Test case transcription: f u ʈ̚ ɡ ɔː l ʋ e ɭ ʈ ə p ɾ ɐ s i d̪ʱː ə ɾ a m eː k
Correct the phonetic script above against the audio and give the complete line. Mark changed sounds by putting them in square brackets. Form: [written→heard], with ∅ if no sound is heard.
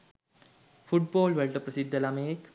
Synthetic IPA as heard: f u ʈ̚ [ɡ→b] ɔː l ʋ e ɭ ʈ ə p ɾ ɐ s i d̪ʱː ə [ɾ→l] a m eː k